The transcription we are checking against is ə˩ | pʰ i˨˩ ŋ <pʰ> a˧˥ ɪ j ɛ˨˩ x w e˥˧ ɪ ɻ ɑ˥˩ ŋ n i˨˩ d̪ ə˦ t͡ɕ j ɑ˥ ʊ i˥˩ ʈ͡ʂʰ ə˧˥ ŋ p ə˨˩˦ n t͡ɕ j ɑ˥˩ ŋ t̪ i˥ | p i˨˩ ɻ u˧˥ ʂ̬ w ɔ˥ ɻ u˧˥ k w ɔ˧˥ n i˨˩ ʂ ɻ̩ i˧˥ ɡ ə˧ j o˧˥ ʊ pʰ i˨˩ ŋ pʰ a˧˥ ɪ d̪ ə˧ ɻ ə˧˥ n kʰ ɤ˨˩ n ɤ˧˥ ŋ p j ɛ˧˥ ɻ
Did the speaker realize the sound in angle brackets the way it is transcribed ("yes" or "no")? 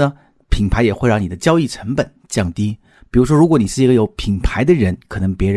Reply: yes